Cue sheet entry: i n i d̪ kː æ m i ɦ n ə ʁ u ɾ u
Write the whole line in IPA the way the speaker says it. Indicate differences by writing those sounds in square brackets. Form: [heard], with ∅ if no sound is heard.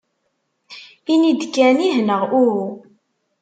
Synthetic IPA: i n i d̪ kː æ [n] i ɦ n ə ʁ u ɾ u